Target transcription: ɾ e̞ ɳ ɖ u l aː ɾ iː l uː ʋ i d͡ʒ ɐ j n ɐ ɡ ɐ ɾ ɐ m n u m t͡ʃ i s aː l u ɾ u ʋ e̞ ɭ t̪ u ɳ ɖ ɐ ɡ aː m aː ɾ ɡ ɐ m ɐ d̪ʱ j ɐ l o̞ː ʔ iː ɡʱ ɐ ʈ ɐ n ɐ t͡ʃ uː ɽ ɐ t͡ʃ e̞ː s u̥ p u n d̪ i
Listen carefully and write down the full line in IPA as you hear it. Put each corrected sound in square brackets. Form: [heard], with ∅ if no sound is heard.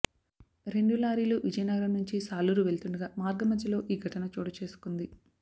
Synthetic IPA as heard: ɾ e̞ ɳ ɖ u l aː ɾ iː l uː ʋ i d͡ʒ ɐ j n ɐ ɡ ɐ ɾ ɐ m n u [ɲ] t͡ʃ i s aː l u ɾ u ʋ e̞ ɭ t̪ u ɳ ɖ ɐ ɡ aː m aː ɾ ɡ ɐ m ɐ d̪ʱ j ɐ l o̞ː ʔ iː ɡʱ ɐ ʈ ɐ n ɐ t͡ʃ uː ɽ ɐ t͡ʃ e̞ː s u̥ [k] u n d̪ i